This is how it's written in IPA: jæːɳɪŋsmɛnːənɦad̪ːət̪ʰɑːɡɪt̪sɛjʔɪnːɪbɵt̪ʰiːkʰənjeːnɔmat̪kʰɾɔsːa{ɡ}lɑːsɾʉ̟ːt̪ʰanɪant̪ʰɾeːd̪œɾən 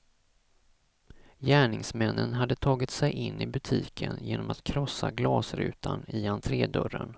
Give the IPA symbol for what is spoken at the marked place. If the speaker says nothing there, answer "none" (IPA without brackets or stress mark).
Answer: ɡ